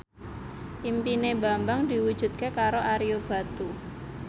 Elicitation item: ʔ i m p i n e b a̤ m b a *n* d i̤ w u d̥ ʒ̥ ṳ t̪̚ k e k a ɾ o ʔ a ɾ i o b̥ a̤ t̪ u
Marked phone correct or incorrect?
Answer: incorrect